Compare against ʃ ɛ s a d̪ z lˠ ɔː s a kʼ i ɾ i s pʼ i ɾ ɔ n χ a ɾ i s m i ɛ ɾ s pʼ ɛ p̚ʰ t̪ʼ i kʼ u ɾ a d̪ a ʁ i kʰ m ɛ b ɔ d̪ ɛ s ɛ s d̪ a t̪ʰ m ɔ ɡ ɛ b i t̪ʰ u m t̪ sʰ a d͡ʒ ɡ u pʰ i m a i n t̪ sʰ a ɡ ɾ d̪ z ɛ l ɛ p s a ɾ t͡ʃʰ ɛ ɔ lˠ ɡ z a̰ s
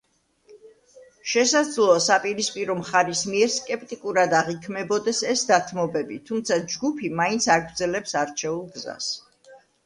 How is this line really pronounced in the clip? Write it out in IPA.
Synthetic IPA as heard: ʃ ɛ s a d̪ z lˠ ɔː s a pʼ i ɾ i s pʼ i ɾ ɔ m χ a ɾ i s m i ɛ ɾ s kʼ ɛ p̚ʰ t̪ʼ i kʼ u ɾ a d̪ a ʁ i kʰ m ɛ b ɔ d̪ ɛ s ɛ s d̪ a t̪ʰ m ɔ b ɛ b i t̪ʰ u m t̪ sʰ a d͡ʒ ɡ u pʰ i m a i n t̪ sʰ a ɡ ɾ d̪ z ɛ l ɛ p s a ɾ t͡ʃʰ ɛ u lˠ ɡ z a̰ s